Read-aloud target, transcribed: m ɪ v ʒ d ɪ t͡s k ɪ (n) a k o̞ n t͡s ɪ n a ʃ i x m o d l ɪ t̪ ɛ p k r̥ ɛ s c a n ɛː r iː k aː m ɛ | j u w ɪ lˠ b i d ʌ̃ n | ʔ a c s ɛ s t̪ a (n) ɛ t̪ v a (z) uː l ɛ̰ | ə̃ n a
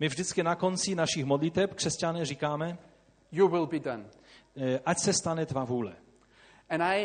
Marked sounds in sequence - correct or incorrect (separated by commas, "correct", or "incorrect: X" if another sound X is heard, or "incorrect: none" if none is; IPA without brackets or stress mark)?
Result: correct, correct, incorrect: v